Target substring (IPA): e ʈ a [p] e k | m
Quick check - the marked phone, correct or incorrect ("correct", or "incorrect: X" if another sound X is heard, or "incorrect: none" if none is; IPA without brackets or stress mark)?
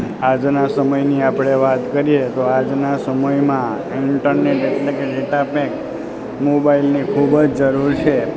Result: correct